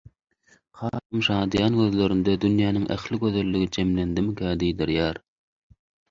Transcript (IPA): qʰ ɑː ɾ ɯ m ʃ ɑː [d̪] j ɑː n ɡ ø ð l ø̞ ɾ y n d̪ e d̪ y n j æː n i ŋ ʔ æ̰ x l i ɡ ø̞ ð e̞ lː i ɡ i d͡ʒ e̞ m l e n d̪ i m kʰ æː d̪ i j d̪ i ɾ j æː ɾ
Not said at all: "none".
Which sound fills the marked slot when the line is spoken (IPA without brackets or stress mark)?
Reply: d̪